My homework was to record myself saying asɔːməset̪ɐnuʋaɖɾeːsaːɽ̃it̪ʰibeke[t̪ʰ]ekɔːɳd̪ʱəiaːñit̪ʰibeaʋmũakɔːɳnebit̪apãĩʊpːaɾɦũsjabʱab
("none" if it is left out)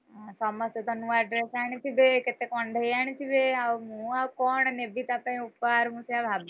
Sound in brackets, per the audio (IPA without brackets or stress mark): t̪